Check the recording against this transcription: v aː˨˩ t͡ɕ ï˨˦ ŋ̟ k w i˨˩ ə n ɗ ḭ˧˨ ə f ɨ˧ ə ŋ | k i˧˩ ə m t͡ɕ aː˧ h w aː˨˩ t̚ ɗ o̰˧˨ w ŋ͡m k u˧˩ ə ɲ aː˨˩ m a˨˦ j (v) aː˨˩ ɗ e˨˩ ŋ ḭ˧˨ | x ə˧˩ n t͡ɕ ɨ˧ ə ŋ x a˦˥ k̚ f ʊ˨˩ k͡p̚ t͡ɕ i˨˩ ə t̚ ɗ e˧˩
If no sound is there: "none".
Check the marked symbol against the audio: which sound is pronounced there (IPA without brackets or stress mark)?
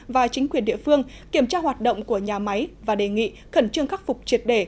v